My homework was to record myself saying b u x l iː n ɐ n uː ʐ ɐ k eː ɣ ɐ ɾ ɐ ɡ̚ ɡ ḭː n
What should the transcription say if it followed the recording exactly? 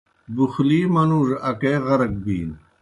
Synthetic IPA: b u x l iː m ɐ n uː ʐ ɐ k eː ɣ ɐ ɾ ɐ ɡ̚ b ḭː n